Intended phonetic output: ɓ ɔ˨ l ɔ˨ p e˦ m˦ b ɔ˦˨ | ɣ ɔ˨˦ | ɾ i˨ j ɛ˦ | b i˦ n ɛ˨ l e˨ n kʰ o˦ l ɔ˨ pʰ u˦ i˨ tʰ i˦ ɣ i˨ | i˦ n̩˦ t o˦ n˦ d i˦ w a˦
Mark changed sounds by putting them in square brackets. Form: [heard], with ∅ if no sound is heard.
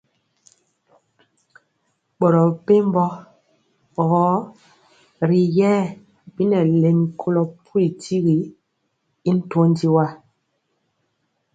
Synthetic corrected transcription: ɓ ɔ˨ [ɾ] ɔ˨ p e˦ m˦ b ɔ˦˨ | ɣ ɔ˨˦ | ɾ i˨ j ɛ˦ | b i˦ n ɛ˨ l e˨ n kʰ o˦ l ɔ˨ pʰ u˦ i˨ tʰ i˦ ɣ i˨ | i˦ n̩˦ t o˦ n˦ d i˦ w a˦